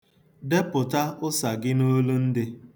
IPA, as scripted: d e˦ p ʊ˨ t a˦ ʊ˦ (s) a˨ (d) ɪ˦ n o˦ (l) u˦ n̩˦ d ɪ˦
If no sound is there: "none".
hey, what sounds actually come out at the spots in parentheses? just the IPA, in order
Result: s, ɡ, l

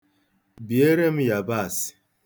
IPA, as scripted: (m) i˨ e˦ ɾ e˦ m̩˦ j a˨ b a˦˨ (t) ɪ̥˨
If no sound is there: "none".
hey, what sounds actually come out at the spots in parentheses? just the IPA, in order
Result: b, s

